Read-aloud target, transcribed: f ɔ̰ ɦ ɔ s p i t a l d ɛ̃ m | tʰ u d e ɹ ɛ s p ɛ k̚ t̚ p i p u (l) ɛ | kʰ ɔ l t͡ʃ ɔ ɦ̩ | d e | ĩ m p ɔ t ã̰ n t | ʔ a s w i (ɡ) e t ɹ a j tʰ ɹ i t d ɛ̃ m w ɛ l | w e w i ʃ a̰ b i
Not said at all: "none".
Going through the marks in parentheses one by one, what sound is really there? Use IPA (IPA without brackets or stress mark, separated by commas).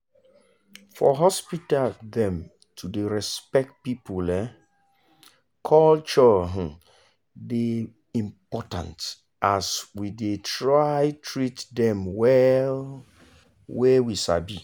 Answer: l, d